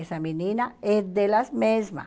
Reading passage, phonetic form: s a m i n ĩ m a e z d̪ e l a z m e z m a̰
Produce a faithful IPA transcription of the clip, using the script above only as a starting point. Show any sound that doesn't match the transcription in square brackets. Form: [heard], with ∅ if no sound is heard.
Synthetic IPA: s a m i n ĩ [n] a e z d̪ e l a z m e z m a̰